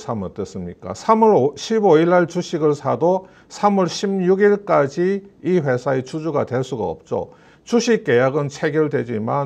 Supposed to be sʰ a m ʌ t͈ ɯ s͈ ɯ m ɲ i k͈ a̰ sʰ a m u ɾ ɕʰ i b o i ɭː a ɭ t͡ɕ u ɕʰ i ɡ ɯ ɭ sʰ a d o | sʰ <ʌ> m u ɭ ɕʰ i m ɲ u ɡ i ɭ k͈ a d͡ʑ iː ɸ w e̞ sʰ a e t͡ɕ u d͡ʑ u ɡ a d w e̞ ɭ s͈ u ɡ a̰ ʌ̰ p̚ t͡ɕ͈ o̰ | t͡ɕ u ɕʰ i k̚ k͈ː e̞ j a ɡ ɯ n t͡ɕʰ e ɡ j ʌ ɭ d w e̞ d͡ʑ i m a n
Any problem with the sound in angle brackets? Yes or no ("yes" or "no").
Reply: yes